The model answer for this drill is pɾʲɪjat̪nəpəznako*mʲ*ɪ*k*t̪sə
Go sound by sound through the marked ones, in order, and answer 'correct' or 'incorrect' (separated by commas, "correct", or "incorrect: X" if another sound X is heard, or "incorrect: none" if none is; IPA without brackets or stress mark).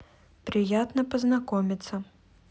correct, incorrect: none